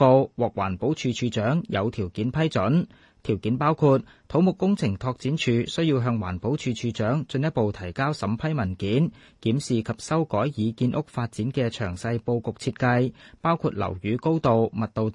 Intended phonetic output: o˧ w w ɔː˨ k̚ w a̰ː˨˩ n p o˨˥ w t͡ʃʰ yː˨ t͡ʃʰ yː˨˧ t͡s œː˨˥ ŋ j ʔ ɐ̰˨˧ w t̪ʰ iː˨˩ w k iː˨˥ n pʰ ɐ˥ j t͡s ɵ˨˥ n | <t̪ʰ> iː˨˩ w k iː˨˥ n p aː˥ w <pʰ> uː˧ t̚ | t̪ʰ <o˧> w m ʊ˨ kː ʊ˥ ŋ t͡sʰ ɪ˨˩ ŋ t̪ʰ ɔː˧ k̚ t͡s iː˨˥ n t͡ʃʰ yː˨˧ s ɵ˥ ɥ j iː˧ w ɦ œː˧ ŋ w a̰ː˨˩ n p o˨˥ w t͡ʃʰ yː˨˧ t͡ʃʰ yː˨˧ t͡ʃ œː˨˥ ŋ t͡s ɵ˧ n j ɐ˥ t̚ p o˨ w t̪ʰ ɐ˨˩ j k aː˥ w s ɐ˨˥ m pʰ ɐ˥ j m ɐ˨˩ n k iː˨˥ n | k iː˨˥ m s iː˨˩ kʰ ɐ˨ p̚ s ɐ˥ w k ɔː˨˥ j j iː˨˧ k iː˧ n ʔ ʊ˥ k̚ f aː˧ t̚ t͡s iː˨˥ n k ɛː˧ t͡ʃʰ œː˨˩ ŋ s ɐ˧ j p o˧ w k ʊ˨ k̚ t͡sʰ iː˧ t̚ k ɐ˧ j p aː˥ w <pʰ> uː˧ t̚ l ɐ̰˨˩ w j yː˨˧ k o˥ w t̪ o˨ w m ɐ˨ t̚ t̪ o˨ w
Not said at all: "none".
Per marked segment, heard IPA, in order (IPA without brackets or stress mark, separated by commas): t̪ʰ, kʰ, o˨˥, kʰ